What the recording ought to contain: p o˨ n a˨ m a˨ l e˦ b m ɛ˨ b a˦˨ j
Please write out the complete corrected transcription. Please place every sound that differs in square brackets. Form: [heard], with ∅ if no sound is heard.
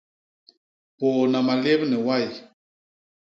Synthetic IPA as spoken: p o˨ n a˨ m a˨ l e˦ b [n] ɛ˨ [w] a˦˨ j